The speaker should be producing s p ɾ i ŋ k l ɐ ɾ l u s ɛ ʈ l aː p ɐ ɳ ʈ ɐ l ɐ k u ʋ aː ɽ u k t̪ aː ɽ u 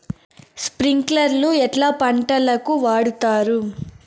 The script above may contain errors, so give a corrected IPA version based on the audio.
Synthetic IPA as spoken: s p ɾ i ŋ k l ɐ ɾ l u ɛ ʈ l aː p ɐ ɳ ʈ ɐ l ɐ k u ʋ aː ɽ u t̪ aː ɾ u

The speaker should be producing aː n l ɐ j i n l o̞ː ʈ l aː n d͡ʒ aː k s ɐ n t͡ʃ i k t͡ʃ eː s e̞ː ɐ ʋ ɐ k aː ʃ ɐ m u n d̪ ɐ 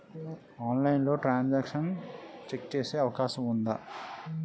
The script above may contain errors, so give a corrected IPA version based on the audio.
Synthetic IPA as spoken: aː n l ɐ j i n l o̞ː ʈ ɾ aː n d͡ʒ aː k ʂ ɐ n t͡ʃ e k t͡ʃ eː s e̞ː ɐ ʋ ɐ k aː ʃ ɐ m u n d̪ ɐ

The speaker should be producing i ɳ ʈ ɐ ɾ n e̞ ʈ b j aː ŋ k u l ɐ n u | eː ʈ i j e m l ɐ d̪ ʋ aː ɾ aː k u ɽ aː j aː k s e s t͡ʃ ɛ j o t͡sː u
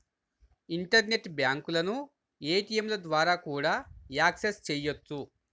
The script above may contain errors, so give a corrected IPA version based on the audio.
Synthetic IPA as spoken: i ɳ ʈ ɐ ɾ n e̞ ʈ b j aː ŋ k u l ɐ n u | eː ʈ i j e m l ɐ d̪ ʋ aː ɾ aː k uː ɽ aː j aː k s e s t͡ʃ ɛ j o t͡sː u

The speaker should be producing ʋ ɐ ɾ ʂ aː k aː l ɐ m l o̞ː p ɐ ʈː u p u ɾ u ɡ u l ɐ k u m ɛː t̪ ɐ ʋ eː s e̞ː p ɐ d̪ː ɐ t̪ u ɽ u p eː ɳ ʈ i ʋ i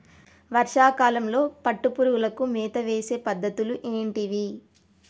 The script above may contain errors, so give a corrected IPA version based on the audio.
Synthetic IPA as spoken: ʋ ɐ ɾ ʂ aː k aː l ɐ m l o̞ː p ɐ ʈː u p u ɾ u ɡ u l ɐ k u m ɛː t̪ ɐ ʋ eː s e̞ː p ɐ d̪ː ɐ t̪ u l u ʔ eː ɳ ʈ i ʋ i

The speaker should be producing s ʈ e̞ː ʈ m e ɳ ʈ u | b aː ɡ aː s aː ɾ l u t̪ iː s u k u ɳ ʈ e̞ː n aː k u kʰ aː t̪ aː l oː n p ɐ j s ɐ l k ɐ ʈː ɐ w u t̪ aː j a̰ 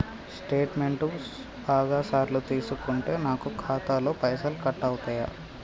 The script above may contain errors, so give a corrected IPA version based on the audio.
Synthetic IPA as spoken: s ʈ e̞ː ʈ m e ɳ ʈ u | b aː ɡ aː s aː ɾ l u t̪ iː s u k u ɳ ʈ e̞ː n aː k u kʰ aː t̪ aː l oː p ɐ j s ɐ l k ɐ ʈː ɐ w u t̪ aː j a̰

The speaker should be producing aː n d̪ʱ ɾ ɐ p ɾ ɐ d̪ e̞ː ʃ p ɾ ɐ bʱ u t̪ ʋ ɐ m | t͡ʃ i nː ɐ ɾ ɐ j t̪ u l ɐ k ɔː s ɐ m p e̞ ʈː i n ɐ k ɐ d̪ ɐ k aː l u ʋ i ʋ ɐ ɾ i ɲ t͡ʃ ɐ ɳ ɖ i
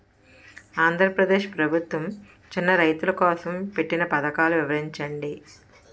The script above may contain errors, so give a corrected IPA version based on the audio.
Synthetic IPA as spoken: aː n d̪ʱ ɾ ɐ p ɾ ɐ d̪ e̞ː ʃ p ɾ ɐ bʱ u t̪ ʋ ɐ m | t͡ʃ i nː ɐ ɾ ɐ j t̪ u l ɐ k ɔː s ɐ m p e̞ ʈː i n ɐ p ɐ d̪ ɐ k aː l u ʋ i ʋ ɐ ɾ i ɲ t͡ʃ ɐ ɳ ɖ i

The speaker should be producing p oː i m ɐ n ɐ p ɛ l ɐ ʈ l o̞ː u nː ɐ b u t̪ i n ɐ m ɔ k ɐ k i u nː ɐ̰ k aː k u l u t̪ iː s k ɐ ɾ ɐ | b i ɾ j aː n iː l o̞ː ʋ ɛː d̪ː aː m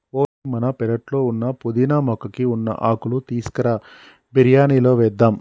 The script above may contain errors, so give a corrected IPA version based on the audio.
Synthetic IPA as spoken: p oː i m ɐ n ɐ p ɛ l ɐ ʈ l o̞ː u nː ɐ p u d̪ i n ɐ m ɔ k ɐ k i u nː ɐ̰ ʔ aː k u l u t̪ iː s k ɐ ɾ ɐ | b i ɾ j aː n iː l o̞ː ʋ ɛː d̪ː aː m

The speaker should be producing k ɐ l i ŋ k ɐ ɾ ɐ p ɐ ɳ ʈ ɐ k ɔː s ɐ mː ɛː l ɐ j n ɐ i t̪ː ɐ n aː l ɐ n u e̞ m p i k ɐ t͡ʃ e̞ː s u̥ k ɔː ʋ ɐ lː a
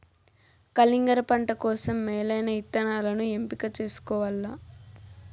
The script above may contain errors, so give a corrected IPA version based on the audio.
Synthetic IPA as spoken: k ɐ l i ŋ ɡ ɐ ɾ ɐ p ɐ ɳ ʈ ɐ k ɔː s ɐ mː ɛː l ɐ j n ɐ i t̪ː ɐ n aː l ɐ n u e̞ m p i k ɐ t͡ʃ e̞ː s u̥ k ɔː ʋ ɐ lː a

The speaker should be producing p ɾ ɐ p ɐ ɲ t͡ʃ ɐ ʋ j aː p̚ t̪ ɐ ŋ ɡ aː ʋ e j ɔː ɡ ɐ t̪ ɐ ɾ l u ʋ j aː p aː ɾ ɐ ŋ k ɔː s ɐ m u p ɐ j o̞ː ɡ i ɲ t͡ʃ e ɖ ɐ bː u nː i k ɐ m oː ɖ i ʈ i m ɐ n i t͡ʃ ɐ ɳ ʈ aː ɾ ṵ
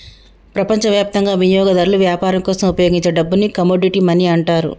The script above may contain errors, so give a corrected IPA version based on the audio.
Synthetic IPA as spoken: p ɾ ɐ p ɐ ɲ t͡ʃ ɐ ʋ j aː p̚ t̪ ɐ ŋ ɡ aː ʋ i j ɔː ɡ ɐ d̪ ɐ ɾ l u ʋ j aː p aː ɾ ɐ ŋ k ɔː s ɐ m u p ɐ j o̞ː ɡ i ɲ t͡ʃ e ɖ ɐ bː u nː i k ɐ m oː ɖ i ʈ i m ɐ n i ɐ ɳ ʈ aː ɾ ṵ

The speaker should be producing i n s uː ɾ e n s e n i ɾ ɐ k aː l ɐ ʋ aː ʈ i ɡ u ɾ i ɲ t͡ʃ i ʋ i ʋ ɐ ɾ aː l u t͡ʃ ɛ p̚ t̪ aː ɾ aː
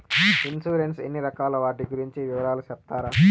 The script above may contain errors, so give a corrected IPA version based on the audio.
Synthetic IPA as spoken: i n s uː ɾ e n s e nː i ɾ ɐ k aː l ɐ ʋ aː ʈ i ɡ u ɾ i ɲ t͡ʃ i ʋ i ʋ ɐ ɾ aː l u t͡ʃ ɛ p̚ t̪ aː ɾ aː

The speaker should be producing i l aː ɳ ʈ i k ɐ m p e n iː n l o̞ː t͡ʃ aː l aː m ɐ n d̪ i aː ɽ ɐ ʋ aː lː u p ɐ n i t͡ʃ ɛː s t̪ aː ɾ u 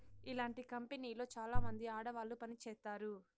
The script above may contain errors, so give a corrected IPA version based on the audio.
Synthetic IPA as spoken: i l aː ɳ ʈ i k ɐ m p e n iː l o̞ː t͡ʃ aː l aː m ɐ n d̪ i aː ɽ ɐ ʋ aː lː u p ɐ n i t͡ʃ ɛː s t̪ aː ɾ u

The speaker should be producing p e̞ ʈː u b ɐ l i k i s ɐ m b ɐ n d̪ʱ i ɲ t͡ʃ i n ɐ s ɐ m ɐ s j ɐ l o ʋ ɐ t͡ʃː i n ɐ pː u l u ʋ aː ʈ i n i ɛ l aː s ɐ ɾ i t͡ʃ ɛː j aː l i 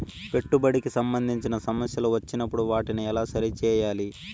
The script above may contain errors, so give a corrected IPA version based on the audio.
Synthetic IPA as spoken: p e̞ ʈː u b ɐ ɽ i k i s ɐ m b ɐ n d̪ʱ i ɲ t͡ʃ i n ɐ s ɐ m ɐ s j ɐ l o ʋ ɐ t͡ʃː i n ɐ pː u ɽ u ʋ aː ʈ i n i ɛ l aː s ɐ ɾ i t͡ʃ ɛː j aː l i

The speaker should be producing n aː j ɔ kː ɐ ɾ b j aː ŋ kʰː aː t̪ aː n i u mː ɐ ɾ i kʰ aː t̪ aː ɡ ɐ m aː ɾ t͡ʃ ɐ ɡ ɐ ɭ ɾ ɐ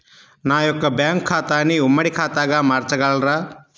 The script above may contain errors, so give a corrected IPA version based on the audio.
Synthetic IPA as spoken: n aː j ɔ kː ɐ b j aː ŋ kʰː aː t̪ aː n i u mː ɐ ɽ i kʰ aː t̪ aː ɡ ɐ m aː ɾ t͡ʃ ɐ ɡ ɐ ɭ ɾ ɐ

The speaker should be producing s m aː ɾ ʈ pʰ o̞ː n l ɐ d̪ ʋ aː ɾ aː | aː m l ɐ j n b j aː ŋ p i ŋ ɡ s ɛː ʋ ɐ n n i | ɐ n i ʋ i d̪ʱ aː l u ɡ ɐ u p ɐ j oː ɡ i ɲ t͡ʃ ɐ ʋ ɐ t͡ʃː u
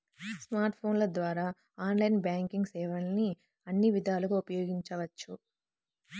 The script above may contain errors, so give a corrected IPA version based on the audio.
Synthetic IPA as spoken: s m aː ɾ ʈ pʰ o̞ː n l ɐ d̪ ʋ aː ɾ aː | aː n l ɐ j n b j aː ŋ k i ŋ ɡ s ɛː ʋ ɐ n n i | ɐ nː i ʋ i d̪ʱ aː l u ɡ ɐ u p ɐ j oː ɡ i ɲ t͡ʃ ɐ ʋ ɐ t͡ʃː u

